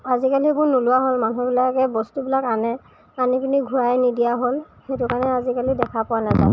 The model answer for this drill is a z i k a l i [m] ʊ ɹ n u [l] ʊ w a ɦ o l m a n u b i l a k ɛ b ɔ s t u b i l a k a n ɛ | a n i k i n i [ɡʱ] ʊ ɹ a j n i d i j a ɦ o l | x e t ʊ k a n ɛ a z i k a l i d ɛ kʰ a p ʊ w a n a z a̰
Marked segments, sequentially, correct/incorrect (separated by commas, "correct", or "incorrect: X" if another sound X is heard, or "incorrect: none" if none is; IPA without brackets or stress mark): incorrect: b, correct, correct